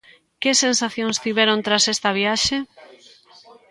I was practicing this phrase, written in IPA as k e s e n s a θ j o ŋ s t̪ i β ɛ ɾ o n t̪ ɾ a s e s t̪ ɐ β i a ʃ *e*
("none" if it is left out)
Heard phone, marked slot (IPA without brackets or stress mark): e